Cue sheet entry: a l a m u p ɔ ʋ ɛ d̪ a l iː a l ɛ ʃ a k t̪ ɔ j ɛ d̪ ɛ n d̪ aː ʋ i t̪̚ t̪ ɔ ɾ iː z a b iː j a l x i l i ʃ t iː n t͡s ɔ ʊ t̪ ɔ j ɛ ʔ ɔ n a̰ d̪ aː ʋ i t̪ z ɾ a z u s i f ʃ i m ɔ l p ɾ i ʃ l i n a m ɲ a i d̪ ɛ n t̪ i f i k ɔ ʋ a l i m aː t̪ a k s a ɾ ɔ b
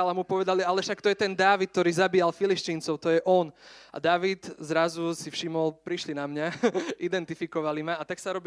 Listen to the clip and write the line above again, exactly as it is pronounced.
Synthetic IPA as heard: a l a m u p ɔ ʋ ɛ d̪ a l i a l ɛ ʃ a k t̪ ɔ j ɛ t̪ ɛ n d̪ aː ʋ i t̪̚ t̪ ɔ ɾ iː z a b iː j a l f i l i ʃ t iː n t͡s ɔ ʊ t̪ ɔ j ɛ ʔ ɔ n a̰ d̪ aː ʋ i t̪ z ɾ a z u s i f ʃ i m ɔ l p ɾ i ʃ l i n a m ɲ a i d̪ ɛ n t̪ i f i k ɔ ʋ a l i m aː t̪ a k s a ɾ ɔ b